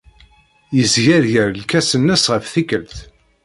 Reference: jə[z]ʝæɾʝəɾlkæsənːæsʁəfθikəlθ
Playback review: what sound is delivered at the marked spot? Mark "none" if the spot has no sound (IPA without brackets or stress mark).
z